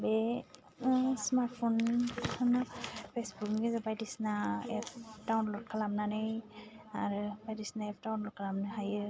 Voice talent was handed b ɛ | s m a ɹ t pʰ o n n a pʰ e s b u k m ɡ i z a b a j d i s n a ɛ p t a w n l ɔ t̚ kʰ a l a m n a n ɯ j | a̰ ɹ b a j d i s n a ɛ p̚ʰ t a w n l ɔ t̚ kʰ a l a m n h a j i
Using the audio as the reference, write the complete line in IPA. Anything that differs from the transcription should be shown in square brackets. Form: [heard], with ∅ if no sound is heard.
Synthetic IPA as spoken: b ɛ | s m a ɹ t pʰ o n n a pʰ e s b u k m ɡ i z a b a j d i s n a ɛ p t a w n l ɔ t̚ kʰ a l a m n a n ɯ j | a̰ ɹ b a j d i s n a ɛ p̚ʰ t a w n l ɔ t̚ kʰ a l a m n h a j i